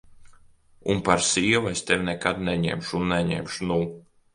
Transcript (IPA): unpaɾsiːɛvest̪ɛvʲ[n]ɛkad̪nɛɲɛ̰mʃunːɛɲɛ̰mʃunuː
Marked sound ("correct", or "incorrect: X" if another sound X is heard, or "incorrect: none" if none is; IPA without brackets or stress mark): correct